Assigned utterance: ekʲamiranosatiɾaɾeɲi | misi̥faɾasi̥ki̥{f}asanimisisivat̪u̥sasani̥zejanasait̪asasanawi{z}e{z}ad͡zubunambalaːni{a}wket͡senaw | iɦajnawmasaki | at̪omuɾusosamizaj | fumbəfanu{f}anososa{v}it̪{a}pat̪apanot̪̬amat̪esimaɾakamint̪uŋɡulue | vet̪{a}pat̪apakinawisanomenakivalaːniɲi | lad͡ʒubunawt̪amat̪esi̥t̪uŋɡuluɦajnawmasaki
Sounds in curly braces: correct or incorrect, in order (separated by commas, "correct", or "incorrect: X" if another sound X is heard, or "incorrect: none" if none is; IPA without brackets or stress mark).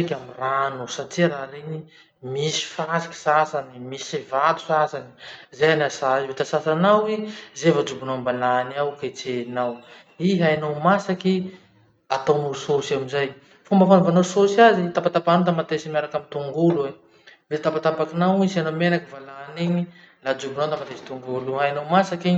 incorrect: s, correct, incorrect: v, correct, incorrect: v, incorrect: z, correct, correct